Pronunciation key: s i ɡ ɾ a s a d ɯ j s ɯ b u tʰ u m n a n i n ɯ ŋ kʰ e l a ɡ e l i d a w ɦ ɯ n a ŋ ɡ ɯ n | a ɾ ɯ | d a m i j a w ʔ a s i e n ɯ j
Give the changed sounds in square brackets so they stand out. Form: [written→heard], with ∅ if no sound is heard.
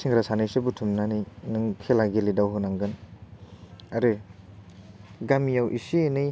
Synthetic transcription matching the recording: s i [ɡ→ŋ] ɾ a s a [d→n] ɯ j s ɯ b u tʰ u m n a n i n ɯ ŋ kʰ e l a ɡ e l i d a w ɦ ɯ n a ŋ ɡ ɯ n | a ɾ ɯ | [d→ɡ] a m i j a w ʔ [a→i] s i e n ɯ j